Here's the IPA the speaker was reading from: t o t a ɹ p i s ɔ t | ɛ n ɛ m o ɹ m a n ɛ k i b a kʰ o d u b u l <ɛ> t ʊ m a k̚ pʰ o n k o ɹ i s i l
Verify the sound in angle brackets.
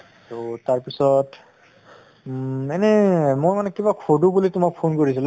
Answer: incorrect: i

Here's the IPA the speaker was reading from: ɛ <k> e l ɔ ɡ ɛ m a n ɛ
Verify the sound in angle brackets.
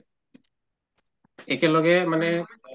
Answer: correct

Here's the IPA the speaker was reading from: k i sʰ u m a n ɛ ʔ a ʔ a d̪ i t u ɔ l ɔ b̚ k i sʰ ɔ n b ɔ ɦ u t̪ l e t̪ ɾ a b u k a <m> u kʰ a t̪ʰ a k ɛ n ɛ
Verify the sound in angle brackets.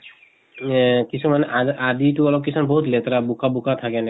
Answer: incorrect: b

